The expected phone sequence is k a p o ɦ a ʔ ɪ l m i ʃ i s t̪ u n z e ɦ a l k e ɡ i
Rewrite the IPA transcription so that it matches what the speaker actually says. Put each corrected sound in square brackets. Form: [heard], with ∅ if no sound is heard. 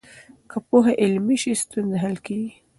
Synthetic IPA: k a p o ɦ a ʔ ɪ l m i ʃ i s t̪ u n z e ɦ a l k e ɡ i